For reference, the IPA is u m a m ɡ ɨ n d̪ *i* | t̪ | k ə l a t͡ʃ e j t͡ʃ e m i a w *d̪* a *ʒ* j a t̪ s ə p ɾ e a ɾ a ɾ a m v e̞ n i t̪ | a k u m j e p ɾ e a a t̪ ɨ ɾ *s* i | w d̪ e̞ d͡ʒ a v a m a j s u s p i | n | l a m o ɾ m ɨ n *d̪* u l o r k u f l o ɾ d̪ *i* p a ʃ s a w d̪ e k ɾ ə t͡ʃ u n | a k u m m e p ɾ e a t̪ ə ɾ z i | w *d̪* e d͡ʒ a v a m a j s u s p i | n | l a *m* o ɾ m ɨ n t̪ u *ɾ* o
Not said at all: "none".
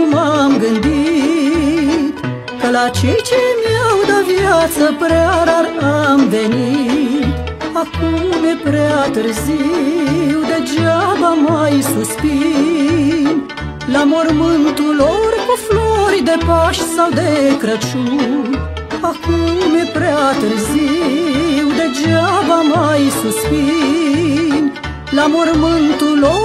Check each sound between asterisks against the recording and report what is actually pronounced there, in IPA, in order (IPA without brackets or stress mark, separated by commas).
i, d̪, v, z, t̪, e, d̪, m, l